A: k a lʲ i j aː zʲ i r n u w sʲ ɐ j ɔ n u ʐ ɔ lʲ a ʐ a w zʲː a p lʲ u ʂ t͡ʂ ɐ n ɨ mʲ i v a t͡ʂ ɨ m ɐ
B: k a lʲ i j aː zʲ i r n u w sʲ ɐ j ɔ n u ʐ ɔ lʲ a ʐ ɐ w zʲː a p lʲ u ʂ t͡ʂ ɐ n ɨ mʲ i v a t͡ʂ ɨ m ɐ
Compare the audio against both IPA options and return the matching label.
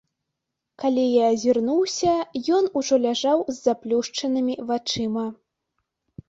A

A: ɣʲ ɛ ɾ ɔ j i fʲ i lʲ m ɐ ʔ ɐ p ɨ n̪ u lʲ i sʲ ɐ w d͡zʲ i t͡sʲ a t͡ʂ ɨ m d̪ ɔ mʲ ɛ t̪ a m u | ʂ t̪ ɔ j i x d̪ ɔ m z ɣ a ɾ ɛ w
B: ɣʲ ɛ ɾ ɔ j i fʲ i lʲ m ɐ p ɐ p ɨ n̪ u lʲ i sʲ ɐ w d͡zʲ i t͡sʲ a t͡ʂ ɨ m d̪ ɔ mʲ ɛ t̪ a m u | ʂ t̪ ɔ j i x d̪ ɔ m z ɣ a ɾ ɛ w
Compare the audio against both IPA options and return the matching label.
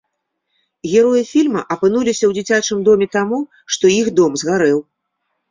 A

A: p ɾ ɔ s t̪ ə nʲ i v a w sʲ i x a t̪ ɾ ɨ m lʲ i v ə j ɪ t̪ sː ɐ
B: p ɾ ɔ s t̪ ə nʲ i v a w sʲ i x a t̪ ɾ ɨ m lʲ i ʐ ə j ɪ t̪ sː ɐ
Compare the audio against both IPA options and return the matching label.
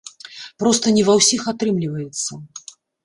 A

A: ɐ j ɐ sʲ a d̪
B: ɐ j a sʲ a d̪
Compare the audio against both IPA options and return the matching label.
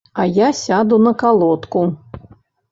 B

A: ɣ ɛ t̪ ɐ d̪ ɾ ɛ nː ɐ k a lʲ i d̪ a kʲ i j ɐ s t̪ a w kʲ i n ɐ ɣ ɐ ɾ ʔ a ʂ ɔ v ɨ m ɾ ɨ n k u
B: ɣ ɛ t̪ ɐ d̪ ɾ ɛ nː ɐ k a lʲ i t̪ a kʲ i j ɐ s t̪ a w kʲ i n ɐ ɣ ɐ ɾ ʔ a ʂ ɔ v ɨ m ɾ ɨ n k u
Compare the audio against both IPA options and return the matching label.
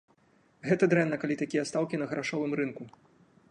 B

